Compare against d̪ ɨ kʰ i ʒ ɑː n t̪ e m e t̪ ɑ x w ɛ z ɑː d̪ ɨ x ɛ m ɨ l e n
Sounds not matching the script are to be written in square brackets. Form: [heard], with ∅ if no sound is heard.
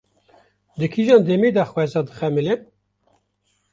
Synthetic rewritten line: d̪ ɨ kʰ i ʒ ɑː n [d̪] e m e [d̪] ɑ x w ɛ z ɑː d̪ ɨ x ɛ m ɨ l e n